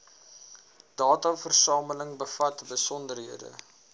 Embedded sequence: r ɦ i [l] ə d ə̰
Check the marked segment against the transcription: incorrect: none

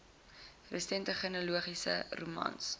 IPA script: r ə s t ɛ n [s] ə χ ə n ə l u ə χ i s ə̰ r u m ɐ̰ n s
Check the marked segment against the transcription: incorrect: t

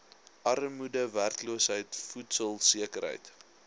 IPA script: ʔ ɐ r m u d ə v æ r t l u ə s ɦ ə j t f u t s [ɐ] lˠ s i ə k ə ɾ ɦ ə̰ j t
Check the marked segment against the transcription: incorrect: ə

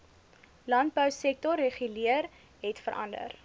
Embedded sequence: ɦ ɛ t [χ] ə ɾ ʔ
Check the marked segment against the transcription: incorrect: f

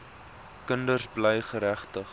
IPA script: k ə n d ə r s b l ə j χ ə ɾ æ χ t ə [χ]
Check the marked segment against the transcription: correct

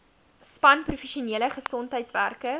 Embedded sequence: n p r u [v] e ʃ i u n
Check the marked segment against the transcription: incorrect: f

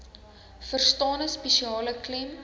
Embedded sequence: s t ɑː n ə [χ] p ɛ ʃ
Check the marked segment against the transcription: incorrect: s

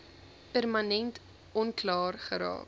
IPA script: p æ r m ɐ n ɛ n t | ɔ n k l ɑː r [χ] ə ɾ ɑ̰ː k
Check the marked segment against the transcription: correct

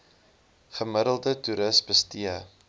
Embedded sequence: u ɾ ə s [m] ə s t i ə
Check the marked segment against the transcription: incorrect: b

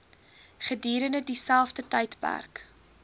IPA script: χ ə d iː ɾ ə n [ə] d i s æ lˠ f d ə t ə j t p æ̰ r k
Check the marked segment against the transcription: correct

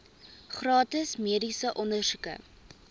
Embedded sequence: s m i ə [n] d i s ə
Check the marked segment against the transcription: incorrect: none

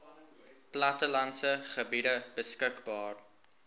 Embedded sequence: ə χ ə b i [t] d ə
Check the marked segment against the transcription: incorrect: none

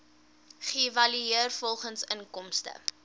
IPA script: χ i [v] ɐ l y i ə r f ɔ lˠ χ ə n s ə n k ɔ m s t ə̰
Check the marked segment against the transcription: correct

